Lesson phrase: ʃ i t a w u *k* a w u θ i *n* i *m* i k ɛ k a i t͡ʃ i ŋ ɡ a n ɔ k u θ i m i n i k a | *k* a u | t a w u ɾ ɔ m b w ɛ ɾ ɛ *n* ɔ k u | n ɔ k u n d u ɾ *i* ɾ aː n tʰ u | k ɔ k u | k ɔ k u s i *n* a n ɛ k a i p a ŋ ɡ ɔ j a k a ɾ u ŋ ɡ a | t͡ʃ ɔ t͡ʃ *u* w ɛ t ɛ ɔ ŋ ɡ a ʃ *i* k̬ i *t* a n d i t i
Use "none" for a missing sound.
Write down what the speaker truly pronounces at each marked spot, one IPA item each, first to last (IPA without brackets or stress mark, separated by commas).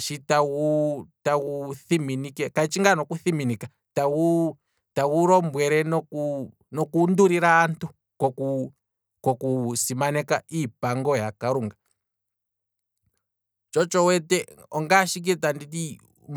t, m, n, t, n, i, m, ɔ, i, t